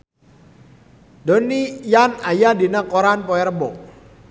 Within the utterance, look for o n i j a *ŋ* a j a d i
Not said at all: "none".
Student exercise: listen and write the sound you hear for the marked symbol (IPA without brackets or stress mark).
n